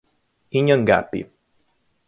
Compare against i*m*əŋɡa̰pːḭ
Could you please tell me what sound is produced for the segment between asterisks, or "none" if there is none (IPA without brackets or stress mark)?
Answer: ɲ